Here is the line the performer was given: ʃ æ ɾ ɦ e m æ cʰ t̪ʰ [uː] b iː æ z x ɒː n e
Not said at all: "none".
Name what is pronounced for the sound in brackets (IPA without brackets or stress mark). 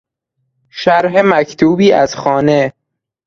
uː